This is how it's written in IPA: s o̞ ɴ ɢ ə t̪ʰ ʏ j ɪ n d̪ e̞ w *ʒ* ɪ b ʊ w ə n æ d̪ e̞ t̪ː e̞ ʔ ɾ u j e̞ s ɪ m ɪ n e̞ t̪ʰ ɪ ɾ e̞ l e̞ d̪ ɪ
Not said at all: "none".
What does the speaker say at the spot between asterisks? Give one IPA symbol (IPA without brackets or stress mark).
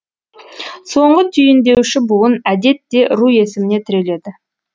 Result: ʃ